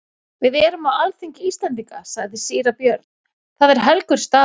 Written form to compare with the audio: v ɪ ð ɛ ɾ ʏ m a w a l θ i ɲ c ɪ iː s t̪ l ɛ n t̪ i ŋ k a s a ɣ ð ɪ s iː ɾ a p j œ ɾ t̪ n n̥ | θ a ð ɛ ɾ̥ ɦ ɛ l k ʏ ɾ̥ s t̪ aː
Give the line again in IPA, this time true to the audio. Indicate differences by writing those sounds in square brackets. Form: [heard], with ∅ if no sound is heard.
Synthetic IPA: v ɪ ð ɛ ɾ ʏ m a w a l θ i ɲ c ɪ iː s t̪ l ɛ n t̪ i ŋ k a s a ɣ ð ɪ s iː ɾ a p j œ ɾ t̪ n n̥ | θ a ð ɛ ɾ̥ ɦ ɛ l k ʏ ɾ̥ s t̪ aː